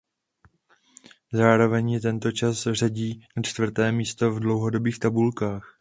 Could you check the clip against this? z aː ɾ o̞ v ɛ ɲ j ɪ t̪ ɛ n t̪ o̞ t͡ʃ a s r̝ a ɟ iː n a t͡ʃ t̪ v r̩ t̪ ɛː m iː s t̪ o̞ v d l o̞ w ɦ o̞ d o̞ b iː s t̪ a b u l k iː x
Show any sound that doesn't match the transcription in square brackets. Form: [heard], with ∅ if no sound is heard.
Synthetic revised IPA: z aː ɾ o̞ v ɛ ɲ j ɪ t̪ ɛ n t̪ o̞ t͡ʃ a s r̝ a ɟ iː n a t͡ʃ t̪ v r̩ t̪ ɛː m iː s t̪ o̞ v d l o̞ w ɦ o̞ d o̞ b iː [x] t̪ a b u l k [aː] x